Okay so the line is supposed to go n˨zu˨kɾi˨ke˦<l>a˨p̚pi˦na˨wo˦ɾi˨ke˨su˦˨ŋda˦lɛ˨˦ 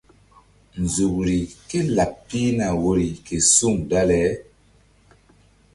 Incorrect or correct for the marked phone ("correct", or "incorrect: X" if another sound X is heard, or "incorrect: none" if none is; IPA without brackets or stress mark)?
correct